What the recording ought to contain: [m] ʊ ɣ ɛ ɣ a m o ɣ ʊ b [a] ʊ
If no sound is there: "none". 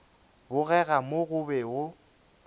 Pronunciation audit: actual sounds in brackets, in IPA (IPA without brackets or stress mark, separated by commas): b, ɛ